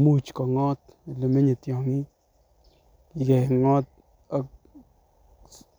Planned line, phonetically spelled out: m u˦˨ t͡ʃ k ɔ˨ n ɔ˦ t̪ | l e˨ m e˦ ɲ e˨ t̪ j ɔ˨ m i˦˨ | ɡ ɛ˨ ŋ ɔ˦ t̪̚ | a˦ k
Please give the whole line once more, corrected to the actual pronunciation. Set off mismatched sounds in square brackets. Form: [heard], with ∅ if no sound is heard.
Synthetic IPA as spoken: m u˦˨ t͡ʃ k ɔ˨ [ŋ] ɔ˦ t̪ | l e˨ m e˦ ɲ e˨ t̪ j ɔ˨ [ŋ] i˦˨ | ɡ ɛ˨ ŋ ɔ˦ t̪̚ | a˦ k